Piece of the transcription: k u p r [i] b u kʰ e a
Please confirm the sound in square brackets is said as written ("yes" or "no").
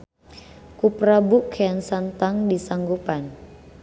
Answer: no